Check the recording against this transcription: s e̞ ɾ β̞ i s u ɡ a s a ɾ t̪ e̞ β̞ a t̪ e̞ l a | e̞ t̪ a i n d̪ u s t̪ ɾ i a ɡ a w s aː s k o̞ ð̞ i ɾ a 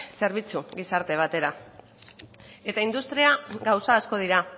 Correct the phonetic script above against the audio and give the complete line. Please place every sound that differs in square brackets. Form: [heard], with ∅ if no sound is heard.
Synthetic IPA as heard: s e̞ ɾ β̞ i [t͡s] u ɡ [i] s a ɾ t̪ e̞ β̞ a t̪ e̞ [ɾ] a | e̞ t̪ a i n d̪ u s t̪ ɾ i a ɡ a w s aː s k o̞ ð̞ i ɾ a